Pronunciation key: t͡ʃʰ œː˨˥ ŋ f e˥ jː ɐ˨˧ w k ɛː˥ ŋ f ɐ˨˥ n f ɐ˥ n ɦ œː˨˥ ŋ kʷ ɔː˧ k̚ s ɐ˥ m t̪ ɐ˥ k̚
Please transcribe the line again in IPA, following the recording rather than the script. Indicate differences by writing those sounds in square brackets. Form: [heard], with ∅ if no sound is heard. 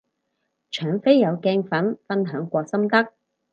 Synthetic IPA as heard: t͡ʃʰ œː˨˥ ŋ f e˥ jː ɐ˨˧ w k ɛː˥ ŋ f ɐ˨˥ n f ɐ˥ n ɦ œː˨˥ ŋ kʷ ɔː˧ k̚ s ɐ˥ m t̪ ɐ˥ k̚